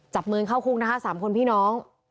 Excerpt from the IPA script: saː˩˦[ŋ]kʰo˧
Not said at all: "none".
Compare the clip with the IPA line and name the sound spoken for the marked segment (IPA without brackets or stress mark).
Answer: m